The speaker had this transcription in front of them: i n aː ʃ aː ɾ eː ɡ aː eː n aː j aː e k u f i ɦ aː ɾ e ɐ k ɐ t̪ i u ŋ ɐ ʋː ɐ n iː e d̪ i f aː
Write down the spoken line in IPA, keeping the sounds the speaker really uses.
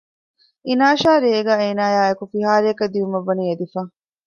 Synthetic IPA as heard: i n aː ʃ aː ɾ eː ɡ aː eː n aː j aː e k u f i ɦ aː ɾ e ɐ k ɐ d̪ i u m ɐ ʋː ɐ n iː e d̪ i f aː